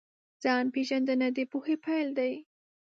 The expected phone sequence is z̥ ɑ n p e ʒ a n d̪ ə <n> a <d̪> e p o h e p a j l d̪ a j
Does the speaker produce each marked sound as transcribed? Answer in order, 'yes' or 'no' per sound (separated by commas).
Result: yes, yes